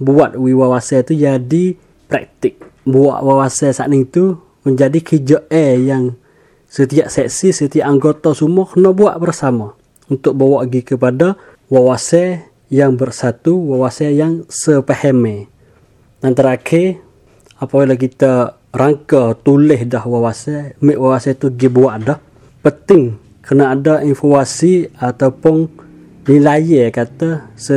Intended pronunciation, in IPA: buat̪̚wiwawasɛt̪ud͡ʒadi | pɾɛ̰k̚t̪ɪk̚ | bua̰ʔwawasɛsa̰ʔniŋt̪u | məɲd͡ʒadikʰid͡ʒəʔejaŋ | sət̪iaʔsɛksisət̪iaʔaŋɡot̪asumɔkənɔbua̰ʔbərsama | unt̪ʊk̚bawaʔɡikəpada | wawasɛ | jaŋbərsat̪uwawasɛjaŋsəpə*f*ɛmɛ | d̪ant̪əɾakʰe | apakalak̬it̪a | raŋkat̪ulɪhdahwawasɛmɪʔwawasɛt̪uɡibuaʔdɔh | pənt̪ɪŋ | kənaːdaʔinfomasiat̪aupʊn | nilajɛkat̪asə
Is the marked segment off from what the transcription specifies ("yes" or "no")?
yes